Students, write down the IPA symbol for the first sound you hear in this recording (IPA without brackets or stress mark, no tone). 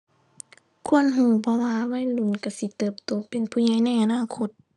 kʰ